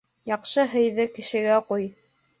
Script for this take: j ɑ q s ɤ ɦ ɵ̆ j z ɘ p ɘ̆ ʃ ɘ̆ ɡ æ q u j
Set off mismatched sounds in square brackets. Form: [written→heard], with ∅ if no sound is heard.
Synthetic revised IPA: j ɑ q [s→ʃ] ɤ ɦ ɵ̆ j [z→ð] ɘ [p→k] ɘ̆ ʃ ɘ̆ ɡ æ q u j